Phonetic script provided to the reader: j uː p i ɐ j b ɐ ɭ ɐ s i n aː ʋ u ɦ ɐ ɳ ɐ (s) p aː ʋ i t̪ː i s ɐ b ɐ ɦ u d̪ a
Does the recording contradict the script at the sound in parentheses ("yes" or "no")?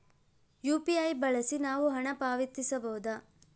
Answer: yes